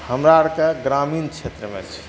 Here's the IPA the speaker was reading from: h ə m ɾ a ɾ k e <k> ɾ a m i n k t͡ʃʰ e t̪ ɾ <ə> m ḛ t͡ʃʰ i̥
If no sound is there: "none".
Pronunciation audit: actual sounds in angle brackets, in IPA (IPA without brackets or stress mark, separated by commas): ɡ, ə